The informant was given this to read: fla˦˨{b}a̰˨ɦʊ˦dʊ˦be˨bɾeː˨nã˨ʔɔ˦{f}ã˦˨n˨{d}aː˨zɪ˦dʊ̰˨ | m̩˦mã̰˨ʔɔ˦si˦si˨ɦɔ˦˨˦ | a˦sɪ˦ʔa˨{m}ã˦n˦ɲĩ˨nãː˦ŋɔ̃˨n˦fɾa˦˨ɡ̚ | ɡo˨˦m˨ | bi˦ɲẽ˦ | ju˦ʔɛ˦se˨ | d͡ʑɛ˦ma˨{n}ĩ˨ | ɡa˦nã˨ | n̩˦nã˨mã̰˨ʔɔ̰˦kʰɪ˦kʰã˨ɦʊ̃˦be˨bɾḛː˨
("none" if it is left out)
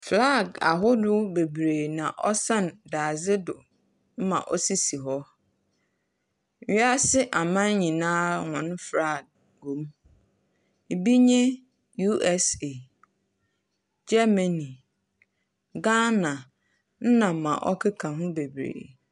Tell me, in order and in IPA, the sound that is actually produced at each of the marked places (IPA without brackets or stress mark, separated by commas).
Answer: ɡ, s, d, m, n